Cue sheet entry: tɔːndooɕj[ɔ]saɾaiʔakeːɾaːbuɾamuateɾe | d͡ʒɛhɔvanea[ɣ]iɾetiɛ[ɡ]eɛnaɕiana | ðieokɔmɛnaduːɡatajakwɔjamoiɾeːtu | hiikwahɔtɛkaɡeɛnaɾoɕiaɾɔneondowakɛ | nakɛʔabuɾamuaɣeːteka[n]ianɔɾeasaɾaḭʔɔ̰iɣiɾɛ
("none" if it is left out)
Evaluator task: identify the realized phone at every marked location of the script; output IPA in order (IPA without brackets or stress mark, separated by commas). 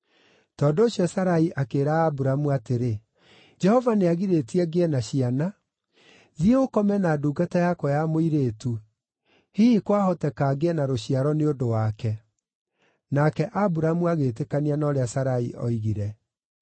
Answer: ɔ, ɣ, ɡ, n